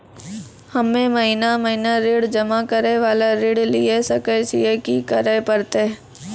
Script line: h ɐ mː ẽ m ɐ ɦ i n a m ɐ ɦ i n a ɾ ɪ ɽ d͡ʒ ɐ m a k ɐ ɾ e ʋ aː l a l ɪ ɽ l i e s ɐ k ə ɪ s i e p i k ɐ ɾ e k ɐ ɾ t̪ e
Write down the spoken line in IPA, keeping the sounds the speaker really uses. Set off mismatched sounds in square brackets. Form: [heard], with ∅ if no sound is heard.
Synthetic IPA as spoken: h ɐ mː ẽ m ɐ ɦ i n a m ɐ ɦ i n a ɾ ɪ ɽ d͡ʒ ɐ m a k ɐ ɾ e ʋ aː l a [ɾ] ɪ ɽ l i e s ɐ k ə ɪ s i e [k] i k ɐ ɾ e [p] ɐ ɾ t̪ e